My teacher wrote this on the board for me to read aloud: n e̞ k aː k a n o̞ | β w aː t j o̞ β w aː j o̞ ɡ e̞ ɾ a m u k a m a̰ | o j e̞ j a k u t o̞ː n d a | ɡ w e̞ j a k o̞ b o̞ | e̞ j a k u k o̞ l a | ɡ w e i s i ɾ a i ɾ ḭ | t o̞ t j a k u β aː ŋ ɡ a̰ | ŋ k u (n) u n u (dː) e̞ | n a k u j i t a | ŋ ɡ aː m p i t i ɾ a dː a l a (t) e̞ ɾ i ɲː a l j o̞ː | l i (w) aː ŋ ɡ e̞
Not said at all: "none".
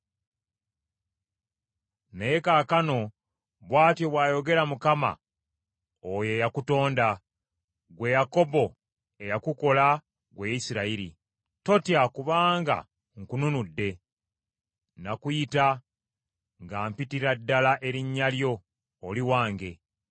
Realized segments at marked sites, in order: n, dː, ʔ, w

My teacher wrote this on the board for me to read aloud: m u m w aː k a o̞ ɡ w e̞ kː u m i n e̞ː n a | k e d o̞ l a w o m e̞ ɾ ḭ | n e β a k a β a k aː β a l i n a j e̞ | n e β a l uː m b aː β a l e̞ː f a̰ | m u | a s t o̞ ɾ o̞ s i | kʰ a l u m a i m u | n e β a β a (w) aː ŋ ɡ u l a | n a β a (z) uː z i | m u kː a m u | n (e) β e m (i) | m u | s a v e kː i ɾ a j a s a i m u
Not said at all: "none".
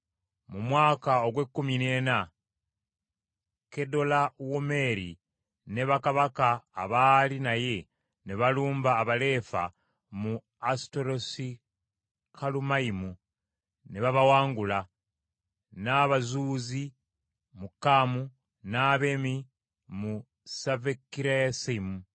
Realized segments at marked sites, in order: w, z, a, i

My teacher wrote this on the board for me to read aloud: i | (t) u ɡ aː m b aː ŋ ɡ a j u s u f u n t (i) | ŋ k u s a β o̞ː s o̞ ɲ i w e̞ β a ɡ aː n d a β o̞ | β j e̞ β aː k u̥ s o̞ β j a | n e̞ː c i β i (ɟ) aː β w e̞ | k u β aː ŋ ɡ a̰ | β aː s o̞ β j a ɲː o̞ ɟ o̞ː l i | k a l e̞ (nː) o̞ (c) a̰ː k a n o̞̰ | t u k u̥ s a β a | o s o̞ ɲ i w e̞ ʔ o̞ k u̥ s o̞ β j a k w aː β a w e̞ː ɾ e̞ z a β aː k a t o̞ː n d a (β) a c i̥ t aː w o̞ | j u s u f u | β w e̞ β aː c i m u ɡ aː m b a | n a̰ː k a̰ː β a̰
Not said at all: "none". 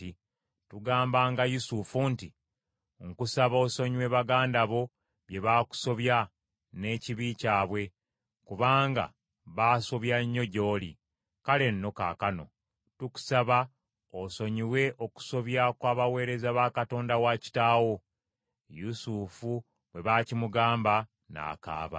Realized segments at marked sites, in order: t, i, c, nː, k, w

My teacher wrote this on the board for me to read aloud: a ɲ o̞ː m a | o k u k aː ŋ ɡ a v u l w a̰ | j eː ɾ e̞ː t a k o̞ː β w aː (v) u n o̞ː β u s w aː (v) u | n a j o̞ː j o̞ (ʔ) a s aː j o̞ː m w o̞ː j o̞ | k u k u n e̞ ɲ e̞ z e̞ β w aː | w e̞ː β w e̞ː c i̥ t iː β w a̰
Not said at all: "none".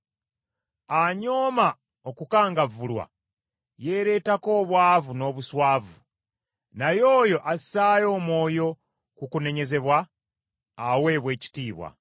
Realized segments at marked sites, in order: v, v, ʔ

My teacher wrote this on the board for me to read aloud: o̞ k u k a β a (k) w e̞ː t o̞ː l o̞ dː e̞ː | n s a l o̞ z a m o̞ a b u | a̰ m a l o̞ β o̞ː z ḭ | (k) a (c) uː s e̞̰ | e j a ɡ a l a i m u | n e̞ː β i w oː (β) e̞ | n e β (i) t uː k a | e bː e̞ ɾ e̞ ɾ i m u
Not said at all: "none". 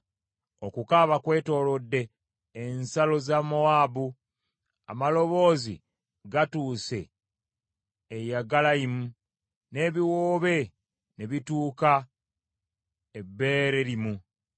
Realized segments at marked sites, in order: k, ɡ, t, β, i

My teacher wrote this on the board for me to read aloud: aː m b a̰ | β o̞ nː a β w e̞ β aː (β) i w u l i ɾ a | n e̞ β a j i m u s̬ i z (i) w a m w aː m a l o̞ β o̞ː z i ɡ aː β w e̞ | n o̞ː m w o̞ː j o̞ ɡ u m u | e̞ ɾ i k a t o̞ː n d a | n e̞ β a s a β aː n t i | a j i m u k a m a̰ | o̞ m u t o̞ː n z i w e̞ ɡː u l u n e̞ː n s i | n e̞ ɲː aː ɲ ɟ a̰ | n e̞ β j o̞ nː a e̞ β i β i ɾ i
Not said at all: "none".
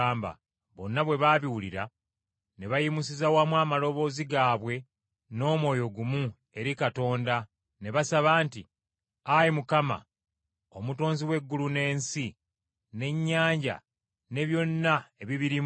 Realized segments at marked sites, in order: β, a

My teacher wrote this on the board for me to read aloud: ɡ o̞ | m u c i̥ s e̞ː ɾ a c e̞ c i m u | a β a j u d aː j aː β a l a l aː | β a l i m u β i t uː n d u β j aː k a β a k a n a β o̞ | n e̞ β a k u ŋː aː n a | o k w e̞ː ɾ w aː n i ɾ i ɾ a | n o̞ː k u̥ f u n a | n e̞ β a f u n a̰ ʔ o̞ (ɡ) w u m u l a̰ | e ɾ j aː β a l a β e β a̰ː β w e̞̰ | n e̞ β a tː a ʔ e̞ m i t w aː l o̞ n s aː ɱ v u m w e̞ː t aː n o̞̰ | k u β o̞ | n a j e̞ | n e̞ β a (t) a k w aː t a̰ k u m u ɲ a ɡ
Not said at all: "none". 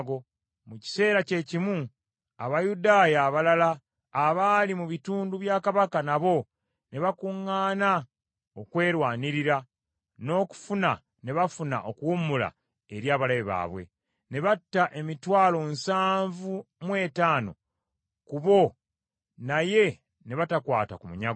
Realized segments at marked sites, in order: k, t

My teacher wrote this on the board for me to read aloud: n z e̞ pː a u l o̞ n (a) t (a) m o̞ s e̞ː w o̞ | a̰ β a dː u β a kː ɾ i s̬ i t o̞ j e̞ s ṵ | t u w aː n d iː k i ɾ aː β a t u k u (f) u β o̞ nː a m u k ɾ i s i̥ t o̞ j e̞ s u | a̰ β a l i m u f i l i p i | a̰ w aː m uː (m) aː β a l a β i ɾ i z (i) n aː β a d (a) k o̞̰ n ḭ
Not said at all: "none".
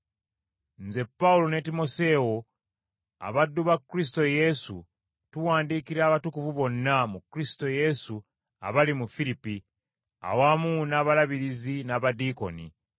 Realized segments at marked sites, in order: e, i, v, n, i, i

